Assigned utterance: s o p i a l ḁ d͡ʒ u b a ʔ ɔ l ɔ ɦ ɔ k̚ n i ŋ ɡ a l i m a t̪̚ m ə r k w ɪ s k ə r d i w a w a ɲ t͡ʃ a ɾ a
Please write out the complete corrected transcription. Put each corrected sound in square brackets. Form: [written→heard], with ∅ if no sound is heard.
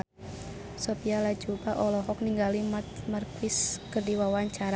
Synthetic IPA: s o p i a l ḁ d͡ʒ u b a ʔ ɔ l ɔ ɦ ɔ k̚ n i ŋ ɡ a l i m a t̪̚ m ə r k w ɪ s k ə r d i w a w a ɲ t͡ʃ a ɾ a